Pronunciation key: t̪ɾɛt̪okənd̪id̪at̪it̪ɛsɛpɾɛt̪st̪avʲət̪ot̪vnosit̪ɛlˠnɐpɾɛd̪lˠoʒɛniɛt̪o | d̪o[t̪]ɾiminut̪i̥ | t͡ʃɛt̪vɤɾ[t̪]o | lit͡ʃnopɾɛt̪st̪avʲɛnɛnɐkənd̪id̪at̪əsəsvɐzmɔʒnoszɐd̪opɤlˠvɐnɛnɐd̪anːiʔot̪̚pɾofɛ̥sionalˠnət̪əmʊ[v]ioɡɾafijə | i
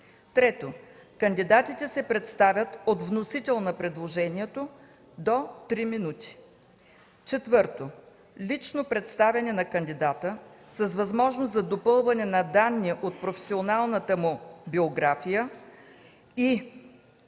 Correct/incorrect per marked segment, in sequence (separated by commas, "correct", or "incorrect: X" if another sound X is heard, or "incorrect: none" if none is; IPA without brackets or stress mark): correct, correct, incorrect: b